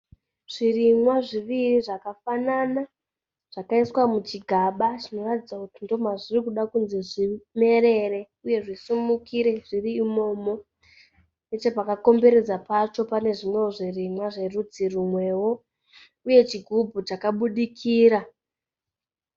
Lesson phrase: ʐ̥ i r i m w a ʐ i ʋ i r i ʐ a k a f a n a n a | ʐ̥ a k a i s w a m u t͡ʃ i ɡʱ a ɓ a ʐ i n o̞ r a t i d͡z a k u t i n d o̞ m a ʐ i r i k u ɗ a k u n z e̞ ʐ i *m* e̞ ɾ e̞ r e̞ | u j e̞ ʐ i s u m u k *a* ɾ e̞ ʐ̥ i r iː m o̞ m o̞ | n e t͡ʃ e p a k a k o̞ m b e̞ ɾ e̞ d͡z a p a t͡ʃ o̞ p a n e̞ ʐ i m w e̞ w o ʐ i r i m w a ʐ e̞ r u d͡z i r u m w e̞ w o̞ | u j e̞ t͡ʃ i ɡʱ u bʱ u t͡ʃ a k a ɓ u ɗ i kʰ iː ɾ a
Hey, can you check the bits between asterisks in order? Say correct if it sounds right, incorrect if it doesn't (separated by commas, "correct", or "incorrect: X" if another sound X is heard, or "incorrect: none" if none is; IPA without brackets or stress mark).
correct, incorrect: i